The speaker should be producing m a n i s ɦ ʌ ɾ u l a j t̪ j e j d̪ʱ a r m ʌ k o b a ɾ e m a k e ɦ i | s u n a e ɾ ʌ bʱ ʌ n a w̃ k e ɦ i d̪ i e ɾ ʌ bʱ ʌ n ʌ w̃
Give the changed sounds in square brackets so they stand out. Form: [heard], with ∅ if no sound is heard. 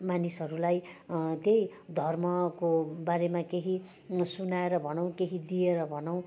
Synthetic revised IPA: m a n i s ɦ ʌ ɾ u l a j t̪ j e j d̪ʱ [ʌ] r m ʌ k o b a ɾ e m a k e ɦ i | s u n a e ɾ ʌ bʱ ʌ n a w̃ k e ɦ i d̪ i e ɾ ʌ bʱ ʌ n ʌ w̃